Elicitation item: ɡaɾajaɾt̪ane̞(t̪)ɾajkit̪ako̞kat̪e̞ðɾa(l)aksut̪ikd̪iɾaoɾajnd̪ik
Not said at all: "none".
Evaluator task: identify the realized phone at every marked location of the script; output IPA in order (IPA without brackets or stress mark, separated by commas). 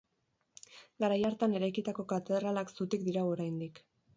none, l